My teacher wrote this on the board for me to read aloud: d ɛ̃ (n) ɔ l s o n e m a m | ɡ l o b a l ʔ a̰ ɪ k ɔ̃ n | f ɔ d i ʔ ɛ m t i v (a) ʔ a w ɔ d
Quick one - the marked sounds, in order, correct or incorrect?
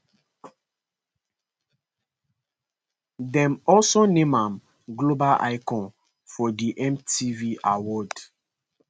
incorrect, incorrect

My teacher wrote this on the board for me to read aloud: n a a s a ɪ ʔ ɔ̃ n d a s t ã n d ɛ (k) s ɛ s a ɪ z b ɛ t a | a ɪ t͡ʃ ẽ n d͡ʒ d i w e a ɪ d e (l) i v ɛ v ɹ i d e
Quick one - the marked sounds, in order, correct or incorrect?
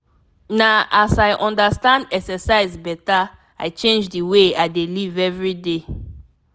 correct, correct

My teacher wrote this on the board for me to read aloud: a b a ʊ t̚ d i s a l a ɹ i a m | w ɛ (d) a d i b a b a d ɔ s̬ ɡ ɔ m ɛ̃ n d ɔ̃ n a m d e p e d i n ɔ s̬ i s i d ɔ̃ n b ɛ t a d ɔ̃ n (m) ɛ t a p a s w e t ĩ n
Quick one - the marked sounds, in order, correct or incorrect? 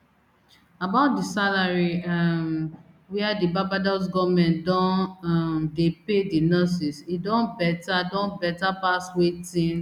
incorrect, incorrect

